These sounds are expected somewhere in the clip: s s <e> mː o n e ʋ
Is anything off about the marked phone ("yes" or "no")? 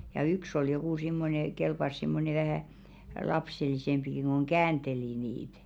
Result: yes